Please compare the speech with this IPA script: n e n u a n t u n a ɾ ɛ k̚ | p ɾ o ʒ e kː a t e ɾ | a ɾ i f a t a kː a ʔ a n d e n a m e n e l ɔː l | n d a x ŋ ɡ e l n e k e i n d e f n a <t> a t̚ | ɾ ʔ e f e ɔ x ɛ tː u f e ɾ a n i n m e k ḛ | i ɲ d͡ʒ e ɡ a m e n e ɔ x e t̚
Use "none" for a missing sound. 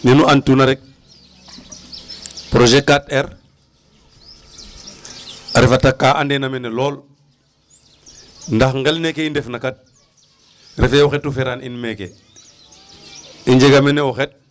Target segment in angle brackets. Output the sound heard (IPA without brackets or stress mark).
k